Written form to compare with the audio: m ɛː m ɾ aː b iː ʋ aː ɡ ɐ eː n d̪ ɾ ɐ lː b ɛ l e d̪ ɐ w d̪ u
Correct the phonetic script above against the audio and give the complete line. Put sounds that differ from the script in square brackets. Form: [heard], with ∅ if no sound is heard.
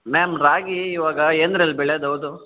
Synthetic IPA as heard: m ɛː m ɾ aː [ɡ] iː ʋ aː ɡ ɐ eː n d̪ ɾ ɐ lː b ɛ [ɭ] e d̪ ɐ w d̪ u